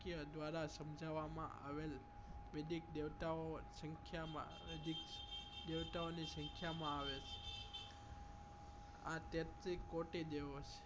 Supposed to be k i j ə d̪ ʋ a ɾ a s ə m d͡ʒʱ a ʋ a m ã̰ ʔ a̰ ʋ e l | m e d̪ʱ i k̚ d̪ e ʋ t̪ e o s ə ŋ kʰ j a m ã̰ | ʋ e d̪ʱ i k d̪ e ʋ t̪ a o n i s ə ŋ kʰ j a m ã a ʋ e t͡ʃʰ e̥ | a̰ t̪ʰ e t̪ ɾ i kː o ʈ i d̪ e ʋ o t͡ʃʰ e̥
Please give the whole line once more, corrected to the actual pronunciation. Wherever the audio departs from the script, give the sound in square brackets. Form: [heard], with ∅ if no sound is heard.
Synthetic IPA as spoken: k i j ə d̪ ʋ a ɾ a s ə m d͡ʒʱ a ʋ a m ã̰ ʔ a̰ ʋ e l | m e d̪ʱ i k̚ d̪ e ʋ t̪ [a] o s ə ŋ kʰ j a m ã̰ | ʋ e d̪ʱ i k d̪ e ʋ t̪ a o n i s ə ŋ kʰ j a m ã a ʋ e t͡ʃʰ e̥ | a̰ [t̪] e t̪ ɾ i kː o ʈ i d̪ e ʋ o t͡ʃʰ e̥